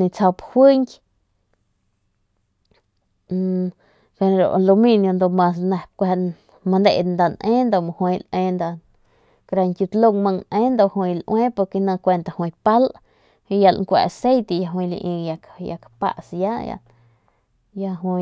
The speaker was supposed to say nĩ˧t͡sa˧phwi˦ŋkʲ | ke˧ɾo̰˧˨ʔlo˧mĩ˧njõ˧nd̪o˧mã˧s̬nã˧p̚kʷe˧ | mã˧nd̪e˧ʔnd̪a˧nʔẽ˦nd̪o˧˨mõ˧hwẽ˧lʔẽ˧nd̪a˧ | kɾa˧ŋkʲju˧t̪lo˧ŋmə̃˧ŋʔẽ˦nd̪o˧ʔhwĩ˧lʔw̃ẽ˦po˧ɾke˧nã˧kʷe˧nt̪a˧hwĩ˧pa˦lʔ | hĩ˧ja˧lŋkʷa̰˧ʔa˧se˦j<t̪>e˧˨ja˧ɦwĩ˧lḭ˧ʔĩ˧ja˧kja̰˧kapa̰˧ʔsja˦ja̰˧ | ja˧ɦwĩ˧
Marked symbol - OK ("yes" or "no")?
yes